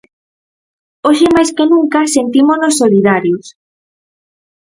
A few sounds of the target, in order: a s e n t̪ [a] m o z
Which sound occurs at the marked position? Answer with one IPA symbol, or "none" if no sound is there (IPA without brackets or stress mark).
i